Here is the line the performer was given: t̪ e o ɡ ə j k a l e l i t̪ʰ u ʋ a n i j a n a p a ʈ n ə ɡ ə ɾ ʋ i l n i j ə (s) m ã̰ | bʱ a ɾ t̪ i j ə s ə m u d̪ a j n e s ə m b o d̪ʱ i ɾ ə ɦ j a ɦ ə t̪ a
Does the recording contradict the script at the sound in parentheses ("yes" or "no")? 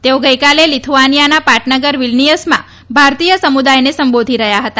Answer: no